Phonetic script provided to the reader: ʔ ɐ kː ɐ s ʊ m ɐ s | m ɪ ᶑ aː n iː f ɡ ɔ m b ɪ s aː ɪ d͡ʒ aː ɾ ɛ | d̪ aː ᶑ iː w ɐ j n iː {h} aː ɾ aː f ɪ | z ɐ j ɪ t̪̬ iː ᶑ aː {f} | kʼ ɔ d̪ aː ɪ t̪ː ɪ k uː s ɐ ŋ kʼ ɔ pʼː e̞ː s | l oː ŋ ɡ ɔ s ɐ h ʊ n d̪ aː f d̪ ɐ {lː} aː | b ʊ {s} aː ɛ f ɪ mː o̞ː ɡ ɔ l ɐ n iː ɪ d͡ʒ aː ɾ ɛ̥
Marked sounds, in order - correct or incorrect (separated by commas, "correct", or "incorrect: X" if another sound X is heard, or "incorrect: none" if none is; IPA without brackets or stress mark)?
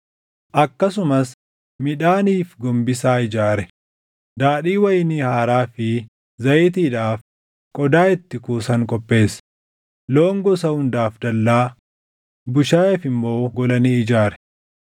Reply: correct, correct, correct, incorrect: ʃ